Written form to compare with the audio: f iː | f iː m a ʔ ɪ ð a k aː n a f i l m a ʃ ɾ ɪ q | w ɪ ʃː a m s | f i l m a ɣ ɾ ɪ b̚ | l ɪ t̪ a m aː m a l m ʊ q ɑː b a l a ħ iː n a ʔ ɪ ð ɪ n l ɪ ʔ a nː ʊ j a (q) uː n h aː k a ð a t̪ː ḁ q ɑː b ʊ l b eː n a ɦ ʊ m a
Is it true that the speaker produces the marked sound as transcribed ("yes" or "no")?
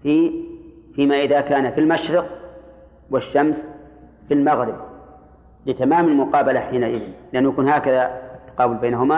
no